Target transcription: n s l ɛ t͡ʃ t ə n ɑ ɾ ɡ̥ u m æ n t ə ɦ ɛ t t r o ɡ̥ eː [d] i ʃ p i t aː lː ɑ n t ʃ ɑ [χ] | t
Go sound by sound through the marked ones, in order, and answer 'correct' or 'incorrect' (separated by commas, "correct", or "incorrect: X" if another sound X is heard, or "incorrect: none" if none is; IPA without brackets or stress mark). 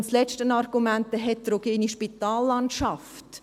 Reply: incorrect: n, incorrect: f